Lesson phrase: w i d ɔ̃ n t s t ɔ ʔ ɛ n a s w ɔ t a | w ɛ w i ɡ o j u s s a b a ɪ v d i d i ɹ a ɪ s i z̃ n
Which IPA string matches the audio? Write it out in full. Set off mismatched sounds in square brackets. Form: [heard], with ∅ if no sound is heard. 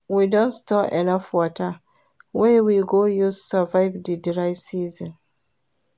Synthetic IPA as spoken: w i d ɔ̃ n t s t ɔ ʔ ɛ n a [f] w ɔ t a | w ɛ w i ɡ o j u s s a [v] a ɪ v d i d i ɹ a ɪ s i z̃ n

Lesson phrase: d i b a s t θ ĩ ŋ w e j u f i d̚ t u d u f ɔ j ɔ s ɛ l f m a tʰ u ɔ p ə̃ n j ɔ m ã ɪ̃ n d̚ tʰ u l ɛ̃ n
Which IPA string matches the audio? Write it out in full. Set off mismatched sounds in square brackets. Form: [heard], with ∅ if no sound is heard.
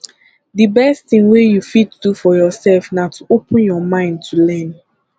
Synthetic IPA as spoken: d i b [ɛ] s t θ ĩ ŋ w e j u f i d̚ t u d u f ɔ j ɔ s ɛ l f [n] a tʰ u [o] p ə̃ n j ɔ m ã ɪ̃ n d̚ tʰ u l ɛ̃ n

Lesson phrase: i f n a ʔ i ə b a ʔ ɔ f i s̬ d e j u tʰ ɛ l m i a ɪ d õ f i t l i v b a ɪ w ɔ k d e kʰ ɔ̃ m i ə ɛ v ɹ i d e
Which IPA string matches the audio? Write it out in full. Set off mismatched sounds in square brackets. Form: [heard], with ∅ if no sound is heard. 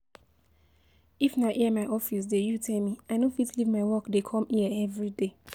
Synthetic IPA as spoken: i f n a ʔ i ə [m] a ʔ ɔ f i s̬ d e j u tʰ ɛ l m i a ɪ [n] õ f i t l i v [m] a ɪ w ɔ k d e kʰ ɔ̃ m i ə ɛ v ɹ i d e

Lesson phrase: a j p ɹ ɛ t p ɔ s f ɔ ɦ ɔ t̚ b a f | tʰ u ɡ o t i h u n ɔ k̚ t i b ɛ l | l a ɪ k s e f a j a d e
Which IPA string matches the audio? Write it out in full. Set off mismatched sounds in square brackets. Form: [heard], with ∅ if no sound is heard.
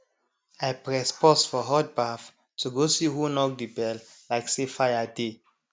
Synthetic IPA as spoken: a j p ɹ ɛ [s] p ɔ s f ɔ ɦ ɔ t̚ b a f | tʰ u ɡ o [s] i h u n ɔ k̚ [d] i b ɛ l | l a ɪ k s e f a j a d e

